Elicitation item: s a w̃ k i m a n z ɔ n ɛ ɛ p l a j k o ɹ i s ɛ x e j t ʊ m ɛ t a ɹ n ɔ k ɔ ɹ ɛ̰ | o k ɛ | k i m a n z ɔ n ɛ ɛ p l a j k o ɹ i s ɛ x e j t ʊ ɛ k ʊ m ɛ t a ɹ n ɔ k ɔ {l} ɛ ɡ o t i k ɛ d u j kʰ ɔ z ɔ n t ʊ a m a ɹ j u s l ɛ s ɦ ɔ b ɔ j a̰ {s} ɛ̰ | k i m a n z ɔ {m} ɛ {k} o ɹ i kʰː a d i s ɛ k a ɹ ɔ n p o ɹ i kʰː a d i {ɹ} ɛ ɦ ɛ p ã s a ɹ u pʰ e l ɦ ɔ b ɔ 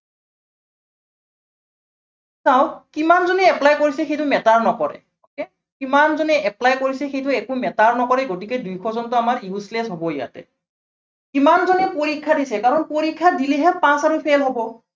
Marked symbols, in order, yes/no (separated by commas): no, no, no, no, no